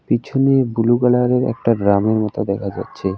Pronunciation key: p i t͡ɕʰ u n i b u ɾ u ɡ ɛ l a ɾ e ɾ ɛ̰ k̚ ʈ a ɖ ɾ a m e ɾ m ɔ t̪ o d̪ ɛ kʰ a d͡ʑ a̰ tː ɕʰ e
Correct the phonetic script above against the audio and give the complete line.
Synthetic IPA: p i t͡ɕʰ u n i b u l u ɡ a l a ɾ e ɾ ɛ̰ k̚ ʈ a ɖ ɾ a m e ɾ m ɔ t̪ o d̪ ɛ kʰ a d͡ʑ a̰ tː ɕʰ e